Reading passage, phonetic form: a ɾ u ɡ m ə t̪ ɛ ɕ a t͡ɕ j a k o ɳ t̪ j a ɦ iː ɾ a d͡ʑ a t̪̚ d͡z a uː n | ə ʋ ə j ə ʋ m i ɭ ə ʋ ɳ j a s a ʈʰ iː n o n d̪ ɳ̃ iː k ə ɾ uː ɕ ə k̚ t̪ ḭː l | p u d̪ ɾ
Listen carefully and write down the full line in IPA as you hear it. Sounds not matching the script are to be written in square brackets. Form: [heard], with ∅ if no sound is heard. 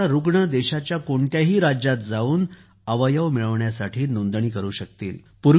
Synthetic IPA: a ɾ u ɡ [ɳ] ə [d̪] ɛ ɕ a t͡ɕ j a k o ɳ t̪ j a ɦ iː ɾ a d͡ʑ a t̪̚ d͡z a uː n | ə ʋ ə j ə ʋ m i ɭ ə ʋ ɳ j a s a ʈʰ iː n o n d̪ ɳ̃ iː k ə ɾ uː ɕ ə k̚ t̪ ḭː l | p u [∅] ɾ